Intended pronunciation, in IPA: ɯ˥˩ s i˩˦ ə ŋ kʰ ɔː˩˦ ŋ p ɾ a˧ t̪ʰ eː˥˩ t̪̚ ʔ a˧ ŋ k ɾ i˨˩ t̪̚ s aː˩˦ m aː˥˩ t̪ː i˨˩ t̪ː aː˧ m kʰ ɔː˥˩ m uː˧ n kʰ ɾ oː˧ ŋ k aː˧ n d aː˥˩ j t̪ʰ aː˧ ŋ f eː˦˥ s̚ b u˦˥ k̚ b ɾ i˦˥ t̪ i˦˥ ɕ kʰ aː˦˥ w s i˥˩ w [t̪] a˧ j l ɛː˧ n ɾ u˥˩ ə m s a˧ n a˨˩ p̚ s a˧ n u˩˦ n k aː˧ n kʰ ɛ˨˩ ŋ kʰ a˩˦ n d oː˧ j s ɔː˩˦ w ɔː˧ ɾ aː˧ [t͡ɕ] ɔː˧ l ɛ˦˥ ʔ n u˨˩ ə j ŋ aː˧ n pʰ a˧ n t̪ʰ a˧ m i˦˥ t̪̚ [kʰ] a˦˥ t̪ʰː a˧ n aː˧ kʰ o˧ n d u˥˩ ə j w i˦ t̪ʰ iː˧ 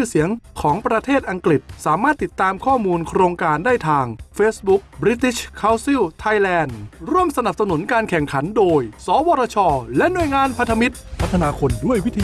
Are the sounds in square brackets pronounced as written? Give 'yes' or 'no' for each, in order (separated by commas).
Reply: no, no, no